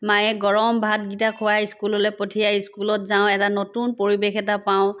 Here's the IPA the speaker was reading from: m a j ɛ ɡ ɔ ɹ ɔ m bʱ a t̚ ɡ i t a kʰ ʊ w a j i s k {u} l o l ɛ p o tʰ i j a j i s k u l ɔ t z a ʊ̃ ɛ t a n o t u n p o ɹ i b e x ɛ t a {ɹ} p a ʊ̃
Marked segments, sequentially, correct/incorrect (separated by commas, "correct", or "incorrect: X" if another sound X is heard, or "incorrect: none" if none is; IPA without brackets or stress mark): correct, incorrect: none